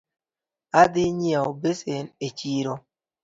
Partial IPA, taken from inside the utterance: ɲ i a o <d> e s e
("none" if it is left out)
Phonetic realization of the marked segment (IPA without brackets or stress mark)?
b